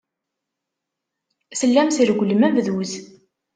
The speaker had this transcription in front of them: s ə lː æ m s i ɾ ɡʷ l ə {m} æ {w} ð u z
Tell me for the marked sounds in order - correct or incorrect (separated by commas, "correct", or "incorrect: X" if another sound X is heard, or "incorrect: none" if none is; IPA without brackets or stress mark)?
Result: correct, incorrect: v